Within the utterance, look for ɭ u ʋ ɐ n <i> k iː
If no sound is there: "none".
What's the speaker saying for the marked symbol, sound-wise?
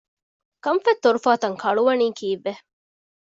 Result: iː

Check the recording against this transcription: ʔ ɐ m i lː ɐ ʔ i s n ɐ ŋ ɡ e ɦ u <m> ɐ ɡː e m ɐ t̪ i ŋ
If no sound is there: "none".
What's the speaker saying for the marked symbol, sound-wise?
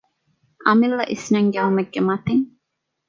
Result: m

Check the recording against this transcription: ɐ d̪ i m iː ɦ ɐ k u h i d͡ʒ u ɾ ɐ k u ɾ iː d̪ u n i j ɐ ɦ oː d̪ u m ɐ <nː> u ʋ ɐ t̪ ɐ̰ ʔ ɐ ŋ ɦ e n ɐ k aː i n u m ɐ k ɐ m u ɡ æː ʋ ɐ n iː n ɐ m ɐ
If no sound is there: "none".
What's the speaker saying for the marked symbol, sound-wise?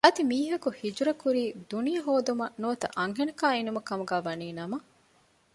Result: n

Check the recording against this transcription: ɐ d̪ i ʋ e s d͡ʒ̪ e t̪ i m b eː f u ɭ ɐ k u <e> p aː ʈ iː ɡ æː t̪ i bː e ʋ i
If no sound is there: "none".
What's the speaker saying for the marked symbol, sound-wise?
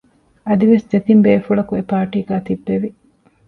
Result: e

